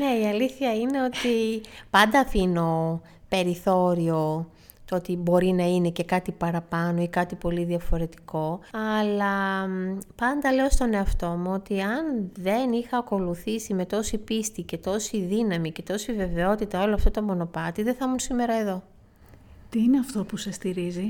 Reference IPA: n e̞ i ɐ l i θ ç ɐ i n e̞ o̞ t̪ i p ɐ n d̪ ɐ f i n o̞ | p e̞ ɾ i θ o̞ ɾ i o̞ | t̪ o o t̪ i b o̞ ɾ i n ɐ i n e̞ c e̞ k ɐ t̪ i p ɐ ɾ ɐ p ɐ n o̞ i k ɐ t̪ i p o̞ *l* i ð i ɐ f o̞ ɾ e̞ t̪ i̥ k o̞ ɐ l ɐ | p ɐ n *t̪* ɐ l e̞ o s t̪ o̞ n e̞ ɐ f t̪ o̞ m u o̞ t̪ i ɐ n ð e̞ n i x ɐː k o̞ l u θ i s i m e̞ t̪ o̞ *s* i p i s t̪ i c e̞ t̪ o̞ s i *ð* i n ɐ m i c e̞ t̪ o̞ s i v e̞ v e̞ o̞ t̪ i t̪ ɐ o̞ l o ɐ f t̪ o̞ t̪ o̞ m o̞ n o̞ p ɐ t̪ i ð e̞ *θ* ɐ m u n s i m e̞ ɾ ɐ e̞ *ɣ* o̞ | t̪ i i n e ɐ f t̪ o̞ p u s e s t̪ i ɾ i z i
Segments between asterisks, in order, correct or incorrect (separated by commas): correct, incorrect, correct, correct, correct, incorrect